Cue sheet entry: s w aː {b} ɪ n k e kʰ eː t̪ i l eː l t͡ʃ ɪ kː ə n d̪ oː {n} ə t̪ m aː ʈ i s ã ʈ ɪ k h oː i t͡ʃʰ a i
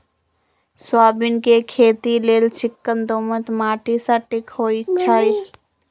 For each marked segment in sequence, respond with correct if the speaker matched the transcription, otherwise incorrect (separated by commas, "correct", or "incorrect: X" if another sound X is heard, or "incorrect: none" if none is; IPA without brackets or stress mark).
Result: correct, incorrect: m